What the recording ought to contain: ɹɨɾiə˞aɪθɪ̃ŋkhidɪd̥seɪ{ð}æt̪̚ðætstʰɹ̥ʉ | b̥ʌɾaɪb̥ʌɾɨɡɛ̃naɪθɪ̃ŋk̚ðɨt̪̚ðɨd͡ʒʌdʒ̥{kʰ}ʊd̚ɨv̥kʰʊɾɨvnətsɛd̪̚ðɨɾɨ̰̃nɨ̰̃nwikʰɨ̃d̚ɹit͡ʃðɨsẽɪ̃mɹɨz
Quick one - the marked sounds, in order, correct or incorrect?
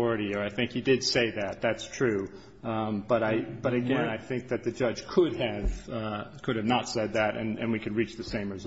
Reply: correct, correct

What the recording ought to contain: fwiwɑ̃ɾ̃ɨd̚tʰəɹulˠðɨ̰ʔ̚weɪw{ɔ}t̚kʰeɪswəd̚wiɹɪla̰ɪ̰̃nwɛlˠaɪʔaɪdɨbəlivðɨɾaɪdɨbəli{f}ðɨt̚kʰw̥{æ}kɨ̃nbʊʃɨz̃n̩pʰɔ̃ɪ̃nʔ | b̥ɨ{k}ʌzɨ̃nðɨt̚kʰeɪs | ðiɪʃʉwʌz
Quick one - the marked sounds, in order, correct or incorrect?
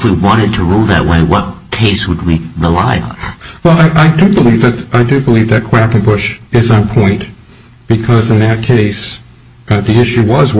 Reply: incorrect: ʌ, incorrect: v, correct, incorrect: kʰ

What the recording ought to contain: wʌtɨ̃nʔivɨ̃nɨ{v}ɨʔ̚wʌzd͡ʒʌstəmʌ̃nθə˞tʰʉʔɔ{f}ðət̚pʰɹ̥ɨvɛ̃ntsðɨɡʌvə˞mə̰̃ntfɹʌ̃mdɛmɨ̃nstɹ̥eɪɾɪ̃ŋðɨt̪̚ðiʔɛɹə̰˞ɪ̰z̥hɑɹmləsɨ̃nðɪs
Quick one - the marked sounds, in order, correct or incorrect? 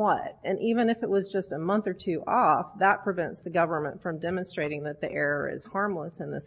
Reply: incorrect: f, correct

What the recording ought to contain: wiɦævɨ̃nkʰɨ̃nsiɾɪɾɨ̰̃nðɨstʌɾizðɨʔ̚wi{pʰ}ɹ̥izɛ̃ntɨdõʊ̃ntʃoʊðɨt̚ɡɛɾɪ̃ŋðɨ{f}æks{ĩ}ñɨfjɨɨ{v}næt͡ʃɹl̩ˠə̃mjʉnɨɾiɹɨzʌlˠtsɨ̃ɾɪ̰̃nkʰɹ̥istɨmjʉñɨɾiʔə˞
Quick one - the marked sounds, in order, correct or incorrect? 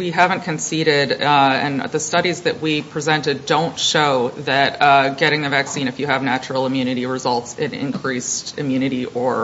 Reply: correct, incorrect: v, correct, correct

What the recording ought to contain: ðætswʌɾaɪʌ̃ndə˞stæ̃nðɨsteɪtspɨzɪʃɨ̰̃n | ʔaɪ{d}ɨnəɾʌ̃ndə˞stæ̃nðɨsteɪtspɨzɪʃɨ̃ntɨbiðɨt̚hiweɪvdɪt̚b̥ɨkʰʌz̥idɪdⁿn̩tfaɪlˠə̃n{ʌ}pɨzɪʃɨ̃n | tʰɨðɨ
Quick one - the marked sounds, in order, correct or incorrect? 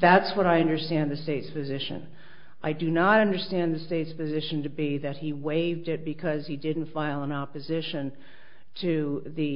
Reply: correct, incorrect: ɑ

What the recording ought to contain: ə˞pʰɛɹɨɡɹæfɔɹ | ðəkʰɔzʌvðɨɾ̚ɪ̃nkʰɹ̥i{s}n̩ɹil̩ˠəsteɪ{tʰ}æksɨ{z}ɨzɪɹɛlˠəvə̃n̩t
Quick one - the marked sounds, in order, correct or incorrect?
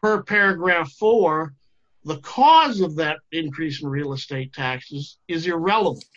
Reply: correct, correct, correct

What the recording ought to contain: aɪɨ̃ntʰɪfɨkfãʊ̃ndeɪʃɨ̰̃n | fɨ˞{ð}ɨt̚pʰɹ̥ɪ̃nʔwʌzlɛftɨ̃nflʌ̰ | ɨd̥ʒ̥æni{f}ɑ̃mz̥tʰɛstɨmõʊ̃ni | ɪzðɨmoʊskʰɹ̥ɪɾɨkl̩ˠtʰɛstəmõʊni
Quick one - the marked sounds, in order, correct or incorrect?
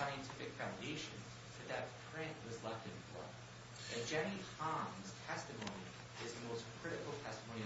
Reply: correct, incorrect: h

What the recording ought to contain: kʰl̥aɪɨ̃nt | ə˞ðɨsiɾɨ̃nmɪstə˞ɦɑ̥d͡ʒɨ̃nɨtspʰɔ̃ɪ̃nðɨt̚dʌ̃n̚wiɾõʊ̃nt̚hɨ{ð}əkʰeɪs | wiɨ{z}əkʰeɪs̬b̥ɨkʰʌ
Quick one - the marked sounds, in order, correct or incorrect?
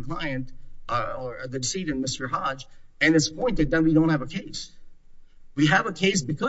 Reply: incorrect: v, incorrect: v

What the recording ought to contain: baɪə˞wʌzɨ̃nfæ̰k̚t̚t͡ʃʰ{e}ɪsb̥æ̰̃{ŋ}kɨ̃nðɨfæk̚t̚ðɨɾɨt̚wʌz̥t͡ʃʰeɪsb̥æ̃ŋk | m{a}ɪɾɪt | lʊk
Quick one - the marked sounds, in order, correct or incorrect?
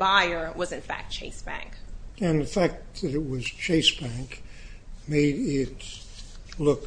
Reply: correct, correct, incorrect: e

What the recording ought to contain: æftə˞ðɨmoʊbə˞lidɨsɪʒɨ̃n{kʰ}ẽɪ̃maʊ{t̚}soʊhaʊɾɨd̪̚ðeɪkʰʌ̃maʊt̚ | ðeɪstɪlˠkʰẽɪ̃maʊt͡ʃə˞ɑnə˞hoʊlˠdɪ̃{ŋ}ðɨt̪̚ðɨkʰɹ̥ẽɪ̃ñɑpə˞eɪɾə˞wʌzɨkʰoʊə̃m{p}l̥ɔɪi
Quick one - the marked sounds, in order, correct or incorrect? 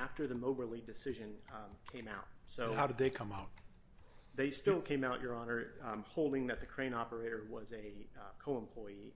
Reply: correct, correct, correct, incorrect: pʰ

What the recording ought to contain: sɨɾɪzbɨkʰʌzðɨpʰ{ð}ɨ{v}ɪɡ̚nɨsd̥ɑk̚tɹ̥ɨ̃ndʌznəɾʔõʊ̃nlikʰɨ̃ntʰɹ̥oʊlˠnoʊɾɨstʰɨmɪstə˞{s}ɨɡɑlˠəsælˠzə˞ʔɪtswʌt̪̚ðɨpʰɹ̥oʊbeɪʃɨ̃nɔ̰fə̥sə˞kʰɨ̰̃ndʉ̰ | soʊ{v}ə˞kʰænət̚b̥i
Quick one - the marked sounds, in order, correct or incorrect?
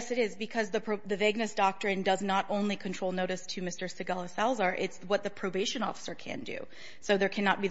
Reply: correct, correct, correct, incorrect: ð

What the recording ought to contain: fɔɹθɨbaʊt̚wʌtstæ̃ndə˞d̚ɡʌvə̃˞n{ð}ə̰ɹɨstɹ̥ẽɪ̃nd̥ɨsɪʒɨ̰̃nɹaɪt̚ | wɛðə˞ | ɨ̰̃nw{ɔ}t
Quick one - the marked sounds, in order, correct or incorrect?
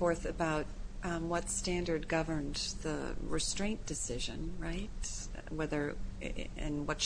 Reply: correct, incorrect: ʌ

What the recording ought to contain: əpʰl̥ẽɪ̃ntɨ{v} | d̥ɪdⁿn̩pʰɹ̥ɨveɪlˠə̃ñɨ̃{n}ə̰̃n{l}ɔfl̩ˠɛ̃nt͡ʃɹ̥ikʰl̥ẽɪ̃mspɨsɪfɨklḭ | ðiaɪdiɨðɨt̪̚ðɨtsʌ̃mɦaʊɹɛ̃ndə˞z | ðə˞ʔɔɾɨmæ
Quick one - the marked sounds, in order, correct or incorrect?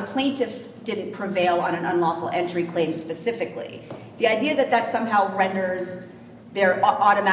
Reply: incorrect: f, correct, correct

